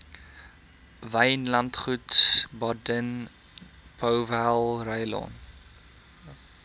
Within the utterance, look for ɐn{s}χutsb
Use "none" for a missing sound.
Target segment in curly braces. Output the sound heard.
t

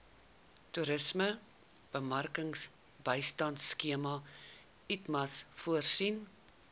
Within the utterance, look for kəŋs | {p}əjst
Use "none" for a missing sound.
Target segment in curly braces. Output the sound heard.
b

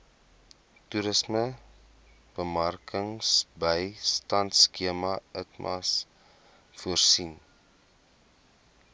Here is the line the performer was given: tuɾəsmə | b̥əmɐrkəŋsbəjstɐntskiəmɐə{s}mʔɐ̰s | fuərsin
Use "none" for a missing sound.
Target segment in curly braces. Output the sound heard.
t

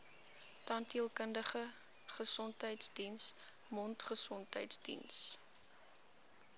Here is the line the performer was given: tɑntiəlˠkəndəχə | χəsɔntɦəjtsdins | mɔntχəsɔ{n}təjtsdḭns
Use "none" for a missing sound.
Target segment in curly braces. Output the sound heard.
n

